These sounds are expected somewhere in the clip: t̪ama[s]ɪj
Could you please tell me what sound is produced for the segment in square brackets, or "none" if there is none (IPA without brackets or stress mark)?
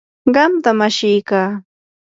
ʃ